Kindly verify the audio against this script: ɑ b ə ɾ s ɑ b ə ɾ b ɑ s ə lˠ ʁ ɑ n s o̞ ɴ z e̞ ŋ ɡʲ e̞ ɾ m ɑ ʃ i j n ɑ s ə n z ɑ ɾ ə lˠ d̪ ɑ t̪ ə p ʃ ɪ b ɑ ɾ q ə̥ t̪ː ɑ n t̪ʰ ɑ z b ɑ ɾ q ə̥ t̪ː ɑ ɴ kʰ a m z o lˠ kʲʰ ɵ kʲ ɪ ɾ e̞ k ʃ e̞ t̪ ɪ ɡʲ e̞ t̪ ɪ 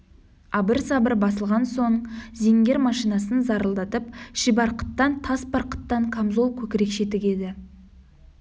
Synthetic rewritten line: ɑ b ə ɾ s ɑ b ə ɾ b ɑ s ə lˠ ʁ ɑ n s o̞ ɴ z e̞ ŋ ɡʲ e̞ ɾ m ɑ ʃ i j n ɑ s ə n z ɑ ɾ ə lˠ d̪ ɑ t̪ ə p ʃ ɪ b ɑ ɾ q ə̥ t̪ː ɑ n t̪ʰ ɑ s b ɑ ɾ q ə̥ t̪ː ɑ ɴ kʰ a m z o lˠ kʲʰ ɵ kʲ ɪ ɾ e̞ k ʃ e̞ t̪ ɪ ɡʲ e̞ d̪ ɪ